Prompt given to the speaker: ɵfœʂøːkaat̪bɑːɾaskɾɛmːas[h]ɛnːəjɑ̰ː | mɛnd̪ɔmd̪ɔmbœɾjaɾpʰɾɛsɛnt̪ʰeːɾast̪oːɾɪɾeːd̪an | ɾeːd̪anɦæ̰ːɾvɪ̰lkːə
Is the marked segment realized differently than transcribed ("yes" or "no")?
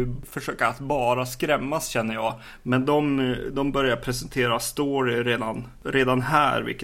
yes